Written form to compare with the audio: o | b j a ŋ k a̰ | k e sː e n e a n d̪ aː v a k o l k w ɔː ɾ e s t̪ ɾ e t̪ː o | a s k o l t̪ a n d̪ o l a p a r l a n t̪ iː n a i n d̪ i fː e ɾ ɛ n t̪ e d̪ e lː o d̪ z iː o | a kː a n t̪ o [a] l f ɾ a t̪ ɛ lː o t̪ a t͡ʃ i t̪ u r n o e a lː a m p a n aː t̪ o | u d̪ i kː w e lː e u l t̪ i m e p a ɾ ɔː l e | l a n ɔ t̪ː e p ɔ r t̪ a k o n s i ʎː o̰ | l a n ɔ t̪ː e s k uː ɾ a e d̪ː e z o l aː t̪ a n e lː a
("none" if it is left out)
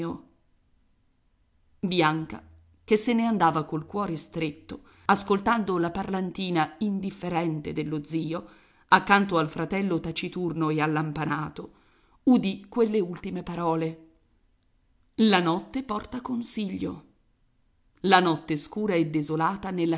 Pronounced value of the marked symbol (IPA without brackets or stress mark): a